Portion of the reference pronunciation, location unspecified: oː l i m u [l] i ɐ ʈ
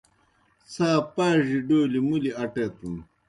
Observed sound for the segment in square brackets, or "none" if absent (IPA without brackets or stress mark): l